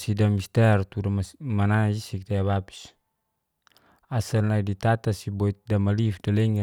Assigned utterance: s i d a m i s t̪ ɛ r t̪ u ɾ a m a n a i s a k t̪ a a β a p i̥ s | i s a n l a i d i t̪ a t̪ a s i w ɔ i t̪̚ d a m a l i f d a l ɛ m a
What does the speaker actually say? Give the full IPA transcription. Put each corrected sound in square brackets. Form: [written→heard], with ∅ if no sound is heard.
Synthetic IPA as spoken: s i d a m i s t̪ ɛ r t̪ u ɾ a m a n a i s [a→i] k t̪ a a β a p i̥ s | [i→a] s a n l a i d i t̪ a t̪ a s i [w→b] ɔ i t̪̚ d a m a l i f d a l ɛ [m→ŋ] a